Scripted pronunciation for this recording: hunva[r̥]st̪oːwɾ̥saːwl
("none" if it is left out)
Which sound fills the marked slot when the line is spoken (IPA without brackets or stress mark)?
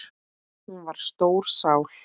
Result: ɾ̥